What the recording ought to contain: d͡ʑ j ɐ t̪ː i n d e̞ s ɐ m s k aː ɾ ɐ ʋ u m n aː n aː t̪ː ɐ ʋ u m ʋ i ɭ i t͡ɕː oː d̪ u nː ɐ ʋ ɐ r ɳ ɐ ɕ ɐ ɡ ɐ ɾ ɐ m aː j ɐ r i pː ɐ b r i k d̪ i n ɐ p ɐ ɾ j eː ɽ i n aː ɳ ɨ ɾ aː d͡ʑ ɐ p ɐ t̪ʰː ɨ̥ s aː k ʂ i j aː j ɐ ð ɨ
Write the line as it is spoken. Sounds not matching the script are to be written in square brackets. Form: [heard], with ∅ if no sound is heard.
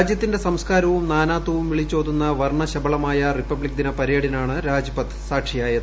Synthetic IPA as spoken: d͡ʑ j ɐ t̪ː i n d e̞ s ɐ m s k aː ɾ ɐ ʋ u m n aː n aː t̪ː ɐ ʋ u m ʋ i ɭ i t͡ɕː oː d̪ u nː ɐ ʋ ɐ r ɳ ɐ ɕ ɐ [b] ɐ [ɭ] ɐ m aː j ɐ r i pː ɐ b [ɭ] i k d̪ i n ɐ p ɐ ɾ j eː ɽ i n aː ɳ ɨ ɾ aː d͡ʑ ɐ p ɐ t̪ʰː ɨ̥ s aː k ʂ i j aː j ɐ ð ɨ